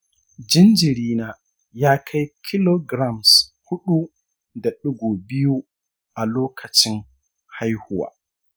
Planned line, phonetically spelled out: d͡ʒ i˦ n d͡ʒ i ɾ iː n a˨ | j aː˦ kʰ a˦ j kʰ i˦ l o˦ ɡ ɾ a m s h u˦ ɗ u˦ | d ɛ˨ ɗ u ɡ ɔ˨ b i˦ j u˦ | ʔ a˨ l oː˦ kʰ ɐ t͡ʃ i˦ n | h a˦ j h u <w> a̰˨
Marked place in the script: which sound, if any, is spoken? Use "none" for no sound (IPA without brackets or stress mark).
w